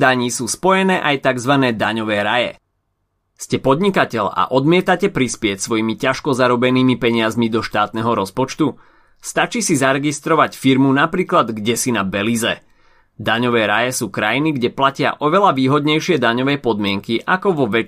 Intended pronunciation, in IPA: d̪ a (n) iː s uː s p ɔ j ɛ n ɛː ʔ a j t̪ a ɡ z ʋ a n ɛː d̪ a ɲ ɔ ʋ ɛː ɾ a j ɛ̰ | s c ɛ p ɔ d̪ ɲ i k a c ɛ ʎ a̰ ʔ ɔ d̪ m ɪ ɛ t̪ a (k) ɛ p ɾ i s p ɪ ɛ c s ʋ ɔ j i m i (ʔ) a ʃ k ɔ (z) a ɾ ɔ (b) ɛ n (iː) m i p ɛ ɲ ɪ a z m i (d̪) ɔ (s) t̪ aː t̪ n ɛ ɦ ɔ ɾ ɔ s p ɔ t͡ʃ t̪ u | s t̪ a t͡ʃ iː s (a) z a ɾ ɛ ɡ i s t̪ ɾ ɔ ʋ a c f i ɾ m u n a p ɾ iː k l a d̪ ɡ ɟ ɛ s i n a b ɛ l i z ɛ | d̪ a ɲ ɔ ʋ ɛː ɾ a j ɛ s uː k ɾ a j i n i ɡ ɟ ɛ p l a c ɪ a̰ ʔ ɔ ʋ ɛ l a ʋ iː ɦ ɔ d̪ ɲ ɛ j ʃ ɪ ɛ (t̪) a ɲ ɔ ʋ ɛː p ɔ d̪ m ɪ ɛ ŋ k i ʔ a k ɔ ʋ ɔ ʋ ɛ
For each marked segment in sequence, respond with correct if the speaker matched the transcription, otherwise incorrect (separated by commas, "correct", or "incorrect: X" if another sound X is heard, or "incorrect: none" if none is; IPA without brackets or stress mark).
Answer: incorrect: ɲ, incorrect: c, incorrect: c, correct, correct, correct, correct, incorrect: ʃ, incorrect: i, incorrect: d̪